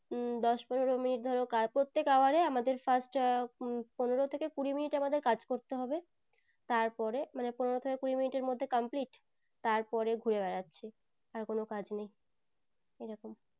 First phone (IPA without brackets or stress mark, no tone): d̪